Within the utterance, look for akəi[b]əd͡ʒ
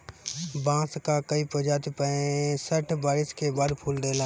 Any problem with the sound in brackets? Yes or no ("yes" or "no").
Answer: yes